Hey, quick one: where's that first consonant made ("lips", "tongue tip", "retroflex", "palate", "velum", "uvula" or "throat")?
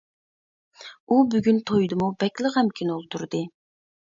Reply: lips